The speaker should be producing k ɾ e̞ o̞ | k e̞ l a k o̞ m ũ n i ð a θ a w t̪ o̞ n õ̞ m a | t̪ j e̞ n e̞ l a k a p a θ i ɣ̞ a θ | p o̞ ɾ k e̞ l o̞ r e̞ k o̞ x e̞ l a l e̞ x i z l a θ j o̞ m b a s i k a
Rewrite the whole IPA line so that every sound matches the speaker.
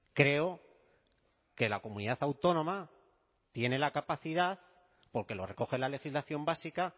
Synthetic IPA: k ɾ e̞ o̞ | k e̞ l a k o̞ m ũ n i ð a θ a w t̪ o̞ n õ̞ m a | t̪ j e̞ n e̞ l a k a p a θ i ð̞ a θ | p o̞ ɾ k e̞ l o̞ r e̞ k o̞ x e̞ l a l e̞ x i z l a θ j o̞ m b a s i k a